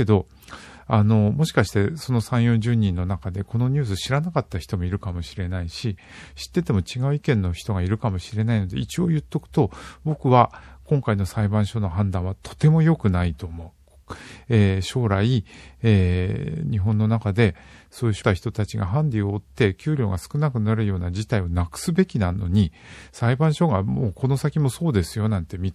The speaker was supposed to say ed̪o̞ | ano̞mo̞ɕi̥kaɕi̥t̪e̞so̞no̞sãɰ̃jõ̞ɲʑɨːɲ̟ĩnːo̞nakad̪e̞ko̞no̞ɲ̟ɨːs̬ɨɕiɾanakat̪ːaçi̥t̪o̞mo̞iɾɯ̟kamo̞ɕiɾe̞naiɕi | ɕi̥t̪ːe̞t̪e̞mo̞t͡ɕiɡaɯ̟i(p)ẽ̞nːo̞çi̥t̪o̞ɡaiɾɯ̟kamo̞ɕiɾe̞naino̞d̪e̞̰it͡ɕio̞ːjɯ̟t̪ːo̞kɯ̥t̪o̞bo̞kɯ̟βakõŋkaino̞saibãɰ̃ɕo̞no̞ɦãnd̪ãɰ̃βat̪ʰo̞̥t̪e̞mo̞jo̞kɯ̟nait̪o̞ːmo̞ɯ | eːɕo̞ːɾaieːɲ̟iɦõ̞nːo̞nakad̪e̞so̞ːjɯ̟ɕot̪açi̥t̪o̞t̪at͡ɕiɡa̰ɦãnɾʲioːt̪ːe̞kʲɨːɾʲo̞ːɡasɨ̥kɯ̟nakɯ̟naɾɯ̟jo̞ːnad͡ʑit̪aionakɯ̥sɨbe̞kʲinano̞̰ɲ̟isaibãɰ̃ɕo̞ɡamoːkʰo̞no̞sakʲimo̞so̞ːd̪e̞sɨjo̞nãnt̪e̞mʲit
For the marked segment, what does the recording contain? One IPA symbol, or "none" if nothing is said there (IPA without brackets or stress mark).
k